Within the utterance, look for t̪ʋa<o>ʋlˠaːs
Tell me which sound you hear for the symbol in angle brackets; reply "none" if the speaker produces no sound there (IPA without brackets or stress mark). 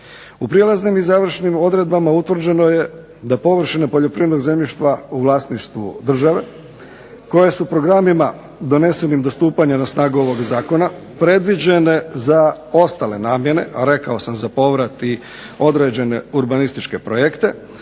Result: u